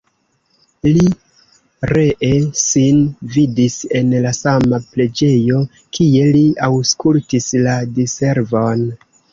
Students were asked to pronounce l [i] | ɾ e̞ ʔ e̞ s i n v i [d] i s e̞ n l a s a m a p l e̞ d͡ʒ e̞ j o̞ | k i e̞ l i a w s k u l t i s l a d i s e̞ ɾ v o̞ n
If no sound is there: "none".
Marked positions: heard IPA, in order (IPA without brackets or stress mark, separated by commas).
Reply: i, d